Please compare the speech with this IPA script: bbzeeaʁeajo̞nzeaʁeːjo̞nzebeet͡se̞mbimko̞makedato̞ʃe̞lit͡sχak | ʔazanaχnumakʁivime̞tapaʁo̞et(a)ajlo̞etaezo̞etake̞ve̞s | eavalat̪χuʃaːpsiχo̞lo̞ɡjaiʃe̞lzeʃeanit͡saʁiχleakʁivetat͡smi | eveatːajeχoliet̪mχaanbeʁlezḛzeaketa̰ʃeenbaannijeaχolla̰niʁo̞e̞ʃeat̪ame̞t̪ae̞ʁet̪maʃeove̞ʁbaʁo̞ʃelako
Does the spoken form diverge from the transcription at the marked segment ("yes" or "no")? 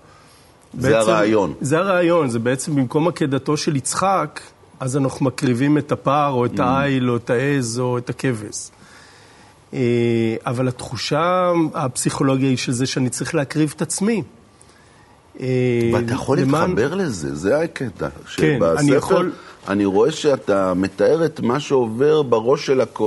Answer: no